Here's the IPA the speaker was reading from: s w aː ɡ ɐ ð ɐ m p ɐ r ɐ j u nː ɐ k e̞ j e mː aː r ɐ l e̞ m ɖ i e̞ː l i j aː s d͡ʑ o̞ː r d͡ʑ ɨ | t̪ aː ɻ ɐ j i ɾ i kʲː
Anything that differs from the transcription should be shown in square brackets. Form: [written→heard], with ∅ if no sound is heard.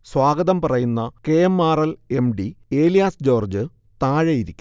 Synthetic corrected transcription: s w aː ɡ ɐ ð ɐ m p ɐ r ɐ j u nː ɐ k e̞ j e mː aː r ɐ l e̞ m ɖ i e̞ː l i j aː s d͡ʑ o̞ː r d͡ʑ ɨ | t̪ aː ɻ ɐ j i ɾ i kʲː